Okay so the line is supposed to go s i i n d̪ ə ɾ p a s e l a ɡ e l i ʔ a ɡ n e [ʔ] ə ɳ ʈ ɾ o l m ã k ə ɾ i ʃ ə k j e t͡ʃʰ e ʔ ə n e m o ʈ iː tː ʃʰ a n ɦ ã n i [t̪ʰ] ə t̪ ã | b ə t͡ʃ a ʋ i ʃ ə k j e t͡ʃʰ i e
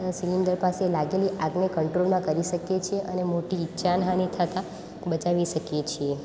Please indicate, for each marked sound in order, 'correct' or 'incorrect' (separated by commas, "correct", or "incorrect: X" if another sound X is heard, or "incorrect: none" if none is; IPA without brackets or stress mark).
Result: incorrect: k, correct